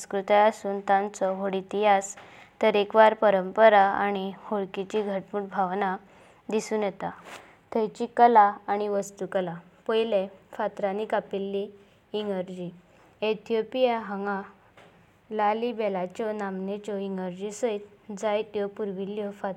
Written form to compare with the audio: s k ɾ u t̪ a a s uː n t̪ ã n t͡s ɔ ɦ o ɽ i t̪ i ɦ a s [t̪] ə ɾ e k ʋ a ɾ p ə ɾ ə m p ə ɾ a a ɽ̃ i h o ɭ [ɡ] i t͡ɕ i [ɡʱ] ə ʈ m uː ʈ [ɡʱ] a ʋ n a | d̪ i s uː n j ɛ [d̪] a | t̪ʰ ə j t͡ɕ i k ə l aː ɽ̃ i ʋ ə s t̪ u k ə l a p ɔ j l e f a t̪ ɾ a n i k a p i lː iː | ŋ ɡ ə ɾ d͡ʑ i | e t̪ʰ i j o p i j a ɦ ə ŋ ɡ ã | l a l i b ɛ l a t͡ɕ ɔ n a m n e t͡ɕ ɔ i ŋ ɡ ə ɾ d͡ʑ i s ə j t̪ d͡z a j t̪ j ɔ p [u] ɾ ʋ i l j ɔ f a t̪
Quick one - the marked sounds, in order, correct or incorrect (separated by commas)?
correct, incorrect, correct, incorrect, incorrect, correct